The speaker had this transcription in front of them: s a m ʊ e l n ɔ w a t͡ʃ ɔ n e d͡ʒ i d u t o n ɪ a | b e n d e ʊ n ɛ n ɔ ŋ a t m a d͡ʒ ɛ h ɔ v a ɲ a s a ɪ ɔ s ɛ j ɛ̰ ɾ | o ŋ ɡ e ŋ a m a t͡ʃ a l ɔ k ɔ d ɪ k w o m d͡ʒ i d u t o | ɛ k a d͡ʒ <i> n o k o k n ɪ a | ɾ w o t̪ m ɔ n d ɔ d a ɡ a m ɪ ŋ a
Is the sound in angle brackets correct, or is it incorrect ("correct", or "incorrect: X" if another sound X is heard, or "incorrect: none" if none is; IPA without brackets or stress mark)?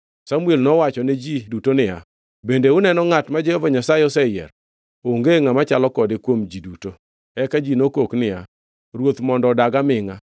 correct